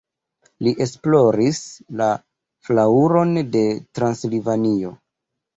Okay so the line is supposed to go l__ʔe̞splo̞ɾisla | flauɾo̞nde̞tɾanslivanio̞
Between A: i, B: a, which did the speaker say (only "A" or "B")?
A